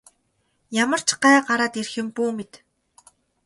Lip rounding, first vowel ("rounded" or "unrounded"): unrounded